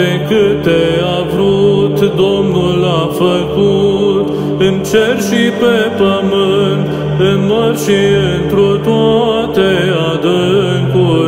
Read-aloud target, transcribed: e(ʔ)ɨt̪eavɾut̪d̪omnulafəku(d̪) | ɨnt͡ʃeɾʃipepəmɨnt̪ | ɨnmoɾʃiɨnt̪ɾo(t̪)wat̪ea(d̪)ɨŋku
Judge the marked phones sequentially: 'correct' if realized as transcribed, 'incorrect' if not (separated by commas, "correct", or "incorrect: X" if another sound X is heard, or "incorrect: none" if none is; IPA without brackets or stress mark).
incorrect: k, incorrect: t̪, correct, correct